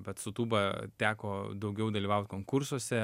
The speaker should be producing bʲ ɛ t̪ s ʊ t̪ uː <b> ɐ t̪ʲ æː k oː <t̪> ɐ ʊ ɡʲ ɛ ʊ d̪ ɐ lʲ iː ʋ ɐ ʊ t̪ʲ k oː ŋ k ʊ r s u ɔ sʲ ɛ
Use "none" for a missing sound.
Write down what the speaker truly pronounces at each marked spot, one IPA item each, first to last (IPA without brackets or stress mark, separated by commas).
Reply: b, d̪